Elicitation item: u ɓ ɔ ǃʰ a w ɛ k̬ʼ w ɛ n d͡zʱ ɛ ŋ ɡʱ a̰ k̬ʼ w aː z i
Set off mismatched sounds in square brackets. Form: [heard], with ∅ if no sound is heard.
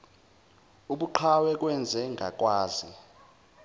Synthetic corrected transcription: u ɓ [u] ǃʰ a w ɛ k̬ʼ w ɛ n d͡zʱ ɛ ŋ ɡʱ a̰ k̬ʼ w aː z i